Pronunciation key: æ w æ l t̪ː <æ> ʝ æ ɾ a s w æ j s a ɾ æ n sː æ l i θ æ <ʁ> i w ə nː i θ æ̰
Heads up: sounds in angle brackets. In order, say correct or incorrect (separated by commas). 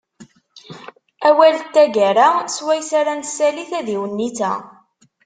correct, incorrect